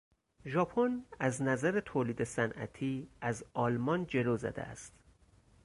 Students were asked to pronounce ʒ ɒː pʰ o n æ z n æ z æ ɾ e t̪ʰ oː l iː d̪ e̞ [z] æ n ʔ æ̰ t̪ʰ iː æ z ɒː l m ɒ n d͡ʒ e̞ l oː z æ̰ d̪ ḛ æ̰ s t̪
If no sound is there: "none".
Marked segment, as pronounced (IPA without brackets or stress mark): s